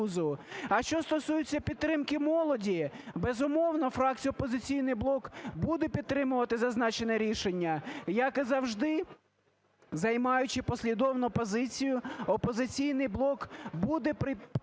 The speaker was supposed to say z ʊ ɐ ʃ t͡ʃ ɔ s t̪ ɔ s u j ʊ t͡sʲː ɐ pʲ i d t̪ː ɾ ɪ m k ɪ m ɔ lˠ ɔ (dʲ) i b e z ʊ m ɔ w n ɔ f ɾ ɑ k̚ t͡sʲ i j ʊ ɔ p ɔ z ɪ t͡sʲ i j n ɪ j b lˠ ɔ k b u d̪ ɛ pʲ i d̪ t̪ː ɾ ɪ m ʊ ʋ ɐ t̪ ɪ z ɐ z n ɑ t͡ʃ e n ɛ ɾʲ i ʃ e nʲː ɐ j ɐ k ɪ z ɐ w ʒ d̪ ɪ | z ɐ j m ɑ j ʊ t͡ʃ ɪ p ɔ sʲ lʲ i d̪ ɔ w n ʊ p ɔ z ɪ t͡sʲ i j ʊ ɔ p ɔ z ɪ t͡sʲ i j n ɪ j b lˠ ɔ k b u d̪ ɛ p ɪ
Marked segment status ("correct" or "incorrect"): correct